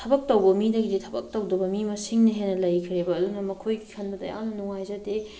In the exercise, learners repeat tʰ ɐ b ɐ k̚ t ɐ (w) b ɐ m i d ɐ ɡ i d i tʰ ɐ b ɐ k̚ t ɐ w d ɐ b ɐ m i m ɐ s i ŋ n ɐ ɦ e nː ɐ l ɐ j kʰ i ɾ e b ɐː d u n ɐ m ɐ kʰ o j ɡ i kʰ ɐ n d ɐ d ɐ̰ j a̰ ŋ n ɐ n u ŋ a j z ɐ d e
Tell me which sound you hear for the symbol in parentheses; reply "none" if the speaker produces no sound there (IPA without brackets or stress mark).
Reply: w